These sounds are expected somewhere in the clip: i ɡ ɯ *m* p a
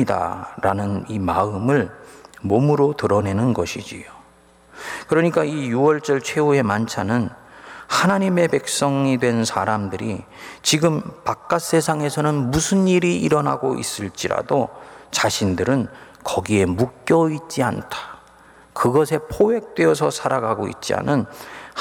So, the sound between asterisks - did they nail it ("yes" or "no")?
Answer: yes